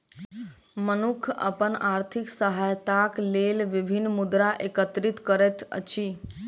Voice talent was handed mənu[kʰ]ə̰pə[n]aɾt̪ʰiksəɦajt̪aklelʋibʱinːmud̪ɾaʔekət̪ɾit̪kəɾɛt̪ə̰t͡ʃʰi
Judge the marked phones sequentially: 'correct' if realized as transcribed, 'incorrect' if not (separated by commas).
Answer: correct, correct